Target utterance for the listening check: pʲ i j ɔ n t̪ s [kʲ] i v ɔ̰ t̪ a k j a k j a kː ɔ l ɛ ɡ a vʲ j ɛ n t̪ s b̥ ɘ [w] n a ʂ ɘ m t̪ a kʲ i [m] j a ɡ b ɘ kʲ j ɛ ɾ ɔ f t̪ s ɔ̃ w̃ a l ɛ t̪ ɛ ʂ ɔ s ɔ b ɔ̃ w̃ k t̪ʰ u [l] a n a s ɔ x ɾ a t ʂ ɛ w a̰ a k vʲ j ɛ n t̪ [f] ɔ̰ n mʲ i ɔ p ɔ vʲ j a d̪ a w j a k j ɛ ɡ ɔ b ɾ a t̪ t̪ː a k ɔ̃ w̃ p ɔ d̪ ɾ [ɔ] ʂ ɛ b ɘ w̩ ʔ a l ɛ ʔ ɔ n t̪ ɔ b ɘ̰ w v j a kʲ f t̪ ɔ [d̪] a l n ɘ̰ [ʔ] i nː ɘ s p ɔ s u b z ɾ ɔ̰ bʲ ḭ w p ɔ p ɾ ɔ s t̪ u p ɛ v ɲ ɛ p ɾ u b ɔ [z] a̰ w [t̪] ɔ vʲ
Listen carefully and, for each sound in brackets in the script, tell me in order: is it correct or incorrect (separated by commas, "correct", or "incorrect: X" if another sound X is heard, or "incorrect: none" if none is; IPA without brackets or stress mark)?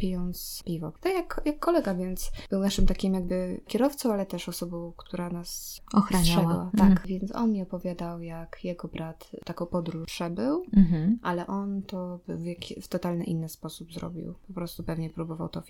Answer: incorrect: pʲ, correct, correct, incorrect: ɾ, incorrect: s, incorrect: u, incorrect: t̪, correct, incorrect: v, correct